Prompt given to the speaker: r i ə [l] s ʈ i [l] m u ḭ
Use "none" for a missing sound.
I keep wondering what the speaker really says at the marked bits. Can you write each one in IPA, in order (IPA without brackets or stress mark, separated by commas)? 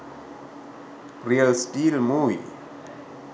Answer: l, l